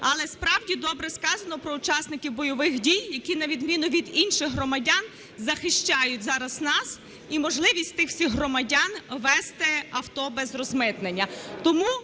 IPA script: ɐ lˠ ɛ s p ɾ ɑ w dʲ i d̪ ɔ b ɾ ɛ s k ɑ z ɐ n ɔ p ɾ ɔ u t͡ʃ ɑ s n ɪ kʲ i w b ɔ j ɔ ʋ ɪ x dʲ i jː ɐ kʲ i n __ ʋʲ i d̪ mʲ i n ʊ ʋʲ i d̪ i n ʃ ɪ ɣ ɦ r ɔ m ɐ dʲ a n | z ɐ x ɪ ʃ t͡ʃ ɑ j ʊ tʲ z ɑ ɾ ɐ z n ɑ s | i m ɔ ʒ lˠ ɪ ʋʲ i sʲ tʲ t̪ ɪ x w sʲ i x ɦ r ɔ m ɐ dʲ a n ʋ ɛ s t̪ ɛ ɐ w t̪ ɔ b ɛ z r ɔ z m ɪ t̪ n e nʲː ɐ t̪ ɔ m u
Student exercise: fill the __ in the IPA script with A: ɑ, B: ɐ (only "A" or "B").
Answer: B